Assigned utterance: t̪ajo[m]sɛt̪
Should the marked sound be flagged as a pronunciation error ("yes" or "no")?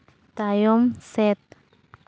no